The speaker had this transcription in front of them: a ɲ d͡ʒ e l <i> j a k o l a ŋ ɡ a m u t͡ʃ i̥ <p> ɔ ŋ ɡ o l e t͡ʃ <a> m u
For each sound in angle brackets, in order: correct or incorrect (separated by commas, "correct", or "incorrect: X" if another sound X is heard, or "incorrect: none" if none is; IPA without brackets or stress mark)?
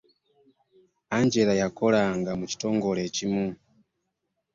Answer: incorrect: a, incorrect: t, incorrect: i